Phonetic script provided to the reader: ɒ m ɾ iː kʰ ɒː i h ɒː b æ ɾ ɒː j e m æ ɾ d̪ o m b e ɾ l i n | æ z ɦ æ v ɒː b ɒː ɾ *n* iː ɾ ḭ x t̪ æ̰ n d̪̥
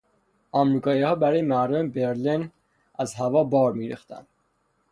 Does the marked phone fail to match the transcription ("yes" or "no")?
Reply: yes